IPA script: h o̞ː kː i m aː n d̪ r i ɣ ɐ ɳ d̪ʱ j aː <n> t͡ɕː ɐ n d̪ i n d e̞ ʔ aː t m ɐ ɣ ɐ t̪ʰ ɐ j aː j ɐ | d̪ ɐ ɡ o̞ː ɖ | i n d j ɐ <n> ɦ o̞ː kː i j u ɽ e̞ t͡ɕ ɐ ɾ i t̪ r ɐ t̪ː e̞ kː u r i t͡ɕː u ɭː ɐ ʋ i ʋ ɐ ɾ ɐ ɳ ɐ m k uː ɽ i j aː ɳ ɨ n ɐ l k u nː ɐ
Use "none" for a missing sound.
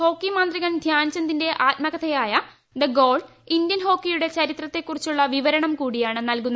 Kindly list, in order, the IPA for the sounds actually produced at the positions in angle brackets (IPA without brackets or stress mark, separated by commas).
n, n